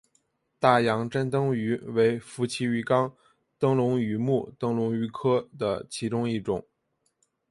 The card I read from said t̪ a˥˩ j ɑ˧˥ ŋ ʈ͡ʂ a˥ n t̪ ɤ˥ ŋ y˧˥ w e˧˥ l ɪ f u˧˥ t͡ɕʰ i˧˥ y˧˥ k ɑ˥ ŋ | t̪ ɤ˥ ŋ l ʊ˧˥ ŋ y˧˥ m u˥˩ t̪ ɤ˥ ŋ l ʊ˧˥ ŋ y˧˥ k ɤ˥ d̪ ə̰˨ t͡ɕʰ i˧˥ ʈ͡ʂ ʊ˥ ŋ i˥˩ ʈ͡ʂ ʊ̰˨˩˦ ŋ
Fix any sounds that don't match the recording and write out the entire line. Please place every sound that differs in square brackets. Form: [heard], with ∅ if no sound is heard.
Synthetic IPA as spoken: t̪ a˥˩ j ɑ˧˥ ŋ ʈ͡ʂ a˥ n t̪ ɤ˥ ŋ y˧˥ w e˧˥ [∅] ɪ f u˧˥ t͡ɕʰ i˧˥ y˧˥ k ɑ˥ ŋ | t̪ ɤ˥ ŋ l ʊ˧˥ ŋ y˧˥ m u˥˩ t̪ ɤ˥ ŋ l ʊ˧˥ ŋ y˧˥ [kʰ] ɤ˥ d̪ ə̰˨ t͡ɕʰ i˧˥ ʈ͡ʂ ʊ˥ ŋ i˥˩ ʈ͡ʂ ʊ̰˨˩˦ ŋ